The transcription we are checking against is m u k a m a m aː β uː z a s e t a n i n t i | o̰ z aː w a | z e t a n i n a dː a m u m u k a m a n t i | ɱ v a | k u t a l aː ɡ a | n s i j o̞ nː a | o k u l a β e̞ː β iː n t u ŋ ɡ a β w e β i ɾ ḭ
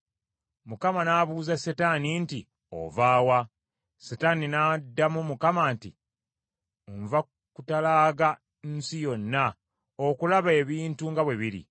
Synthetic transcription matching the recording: m u k a m a n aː β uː z a s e t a n i n t i | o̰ v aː w a | s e t a n i n a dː a m u m u k a m a n t i | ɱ v a | k u t a l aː ɡ a | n s i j o̞ nː a | o k u l a β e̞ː β iː n t u ŋ ɡ a β w e β i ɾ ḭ